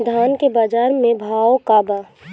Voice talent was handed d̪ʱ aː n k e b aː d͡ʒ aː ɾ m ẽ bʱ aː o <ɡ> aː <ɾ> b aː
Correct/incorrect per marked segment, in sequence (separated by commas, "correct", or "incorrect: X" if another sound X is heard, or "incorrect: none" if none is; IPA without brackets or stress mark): incorrect: k, incorrect: none